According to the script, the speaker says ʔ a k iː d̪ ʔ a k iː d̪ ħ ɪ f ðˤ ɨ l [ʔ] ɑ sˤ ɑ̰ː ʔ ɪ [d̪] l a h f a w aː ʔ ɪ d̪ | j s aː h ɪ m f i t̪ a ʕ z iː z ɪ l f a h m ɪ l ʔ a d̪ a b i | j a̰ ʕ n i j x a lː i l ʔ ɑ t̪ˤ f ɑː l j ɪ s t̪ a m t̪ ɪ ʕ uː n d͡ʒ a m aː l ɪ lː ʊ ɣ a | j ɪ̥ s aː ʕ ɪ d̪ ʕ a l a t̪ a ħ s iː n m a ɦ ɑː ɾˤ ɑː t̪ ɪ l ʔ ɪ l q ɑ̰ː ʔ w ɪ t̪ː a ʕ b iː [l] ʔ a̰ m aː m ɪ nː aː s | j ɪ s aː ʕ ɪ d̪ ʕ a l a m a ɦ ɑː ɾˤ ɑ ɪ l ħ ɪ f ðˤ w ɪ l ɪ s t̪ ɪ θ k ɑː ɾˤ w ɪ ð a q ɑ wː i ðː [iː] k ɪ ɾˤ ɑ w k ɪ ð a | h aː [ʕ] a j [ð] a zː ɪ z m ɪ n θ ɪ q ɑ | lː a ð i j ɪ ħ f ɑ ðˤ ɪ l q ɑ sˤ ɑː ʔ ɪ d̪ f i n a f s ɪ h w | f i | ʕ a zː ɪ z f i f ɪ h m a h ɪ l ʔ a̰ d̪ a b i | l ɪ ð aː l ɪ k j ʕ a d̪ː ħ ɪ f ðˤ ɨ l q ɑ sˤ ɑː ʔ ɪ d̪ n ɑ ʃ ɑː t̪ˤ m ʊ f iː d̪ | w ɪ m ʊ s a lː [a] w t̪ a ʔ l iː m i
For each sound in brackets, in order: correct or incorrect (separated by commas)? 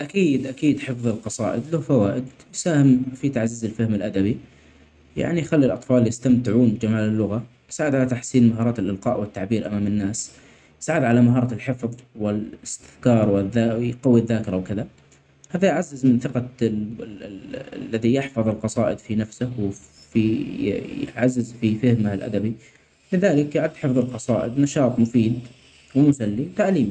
incorrect, correct, incorrect, incorrect, incorrect, incorrect, incorrect